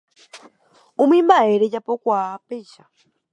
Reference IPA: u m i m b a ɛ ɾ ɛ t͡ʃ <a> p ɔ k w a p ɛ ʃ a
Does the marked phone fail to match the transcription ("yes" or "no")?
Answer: no